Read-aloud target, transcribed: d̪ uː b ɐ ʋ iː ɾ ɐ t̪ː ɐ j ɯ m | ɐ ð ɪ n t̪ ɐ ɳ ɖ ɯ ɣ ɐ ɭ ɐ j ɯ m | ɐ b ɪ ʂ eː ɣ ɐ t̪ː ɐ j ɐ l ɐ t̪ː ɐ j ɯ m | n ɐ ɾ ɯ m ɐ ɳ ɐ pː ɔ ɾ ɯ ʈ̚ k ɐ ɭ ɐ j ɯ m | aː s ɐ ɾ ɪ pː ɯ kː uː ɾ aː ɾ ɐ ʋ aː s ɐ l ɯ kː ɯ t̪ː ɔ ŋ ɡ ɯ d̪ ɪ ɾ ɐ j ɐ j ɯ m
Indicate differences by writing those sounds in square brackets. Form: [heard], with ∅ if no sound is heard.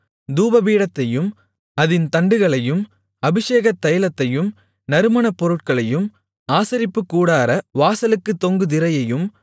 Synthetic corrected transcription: d̪ uː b ɐ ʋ iː [ɽ] ɐ t̪ː ɐ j ɯ m | ɐ ð ɪ n t̪ ɐ ɳ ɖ ɯ ɣ ɐ ɭ ɐ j ɯ m | ɐ b ɪ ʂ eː ɣ ɐ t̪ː ɐ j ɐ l ɐ t̪ː ɐ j ɯ m | n ɐ ɾ ɯ m ɐ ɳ ɐ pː ɔ ɾ ɯ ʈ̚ k ɐ ɭ ɐ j ɯ m | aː s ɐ ɾ ɪ pː ɯ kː uː [ɽ] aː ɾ ɐ ʋ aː s ɐ l ɯ kː ɯ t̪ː ɔ ŋ ɡ ɯ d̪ ɪ ɾ ɐ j ɐ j ɯ m

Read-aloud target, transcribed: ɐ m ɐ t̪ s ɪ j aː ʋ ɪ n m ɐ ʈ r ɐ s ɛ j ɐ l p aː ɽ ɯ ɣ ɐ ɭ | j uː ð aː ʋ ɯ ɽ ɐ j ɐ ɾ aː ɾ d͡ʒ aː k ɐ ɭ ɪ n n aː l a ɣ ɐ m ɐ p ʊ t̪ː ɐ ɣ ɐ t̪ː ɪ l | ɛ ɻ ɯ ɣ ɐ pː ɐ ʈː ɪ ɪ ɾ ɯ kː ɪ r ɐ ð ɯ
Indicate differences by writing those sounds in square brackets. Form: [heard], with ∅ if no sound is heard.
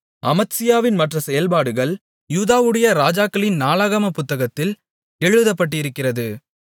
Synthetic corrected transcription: ɐ m ɐ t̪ s ɪ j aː ʋ ɪ n m ɐ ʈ r ɐ s ɛ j ɐ l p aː ɽ ɯ ɣ ɐ ɭ | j uː ð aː ʋ ɯ ɽ ɐ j ɐ ɾ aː [∅] d͡ʒ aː k ɐ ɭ ɪ n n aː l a ɣ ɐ m ɐ p ʊ t̪ː ɐ ɣ ɐ t̪ː ɪ l | ɛ ɻ ɯ [ð] ɐ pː ɐ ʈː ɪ ɪ ɾ ɯ kː ɪ r ɐ ð ɯ

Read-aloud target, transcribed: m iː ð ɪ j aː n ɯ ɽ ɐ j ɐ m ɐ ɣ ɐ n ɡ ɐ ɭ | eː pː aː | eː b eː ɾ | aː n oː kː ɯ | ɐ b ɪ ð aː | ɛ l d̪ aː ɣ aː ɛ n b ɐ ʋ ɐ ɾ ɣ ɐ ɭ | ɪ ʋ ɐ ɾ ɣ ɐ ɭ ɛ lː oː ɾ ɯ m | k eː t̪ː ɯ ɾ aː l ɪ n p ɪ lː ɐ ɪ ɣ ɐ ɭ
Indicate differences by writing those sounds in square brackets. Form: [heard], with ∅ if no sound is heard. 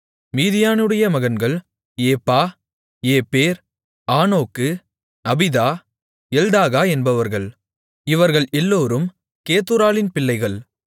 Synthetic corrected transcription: m iː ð ɪ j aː n ɯ ɽ ɐ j ɐ m ɐ ɣ ɐ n ɡ ɐ ɭ | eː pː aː | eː [p] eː ɾ | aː n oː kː ɯ | ɐ b ɪ ð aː | ɛ l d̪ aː ɣ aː ɛ n b ɐ ʋ ɐ ɾ ɣ ɐ ɭ | ɪ ʋ ɐ ɾ ɣ ɐ ɭ ɛ lː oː ɾ ɯ m | k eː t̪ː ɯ ɾ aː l ɪ n p ɪ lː ɐ ɪ ɣ ɐ ɭ

